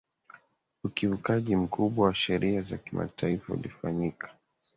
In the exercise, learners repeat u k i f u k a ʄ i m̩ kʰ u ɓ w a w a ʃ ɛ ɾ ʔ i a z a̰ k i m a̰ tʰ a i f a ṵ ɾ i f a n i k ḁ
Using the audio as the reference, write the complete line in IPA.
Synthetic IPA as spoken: u k i v u k a ʄ i m̩ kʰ u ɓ w a w a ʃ ɛ ɾ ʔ i a z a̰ k i m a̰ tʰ a i f a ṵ l i f a ɲ i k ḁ